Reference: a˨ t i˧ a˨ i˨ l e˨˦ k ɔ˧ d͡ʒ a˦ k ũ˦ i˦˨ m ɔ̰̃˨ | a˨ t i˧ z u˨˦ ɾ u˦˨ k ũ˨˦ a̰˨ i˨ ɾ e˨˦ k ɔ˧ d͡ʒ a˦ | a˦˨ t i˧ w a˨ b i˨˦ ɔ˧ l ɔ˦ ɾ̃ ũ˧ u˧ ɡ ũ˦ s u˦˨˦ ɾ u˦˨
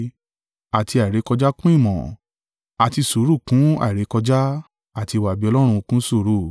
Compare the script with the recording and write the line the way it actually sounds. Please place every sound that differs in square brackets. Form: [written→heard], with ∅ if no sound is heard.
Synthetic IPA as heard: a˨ t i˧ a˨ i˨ [l→ɾ] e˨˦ k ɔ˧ d͡ʒ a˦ k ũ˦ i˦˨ m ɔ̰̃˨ | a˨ t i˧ [z→s] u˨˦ ɾ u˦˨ k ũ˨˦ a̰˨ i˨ ɾ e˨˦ k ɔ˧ d͡ʒ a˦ | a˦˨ t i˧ w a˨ b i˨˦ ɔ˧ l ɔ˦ ɾ̃ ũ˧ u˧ [ɡ→k] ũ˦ s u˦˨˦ ɾ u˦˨